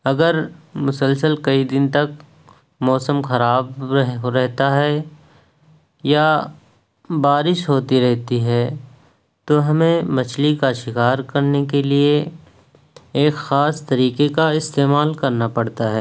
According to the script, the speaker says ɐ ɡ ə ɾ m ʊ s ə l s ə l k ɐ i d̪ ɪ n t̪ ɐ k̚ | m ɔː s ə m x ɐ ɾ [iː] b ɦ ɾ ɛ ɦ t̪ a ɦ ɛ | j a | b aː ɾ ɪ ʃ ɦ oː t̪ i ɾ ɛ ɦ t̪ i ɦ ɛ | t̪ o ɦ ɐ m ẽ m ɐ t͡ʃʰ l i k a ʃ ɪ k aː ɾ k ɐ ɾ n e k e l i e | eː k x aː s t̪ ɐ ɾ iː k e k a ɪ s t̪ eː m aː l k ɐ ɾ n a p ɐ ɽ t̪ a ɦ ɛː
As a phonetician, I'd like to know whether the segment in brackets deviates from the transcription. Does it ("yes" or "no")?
yes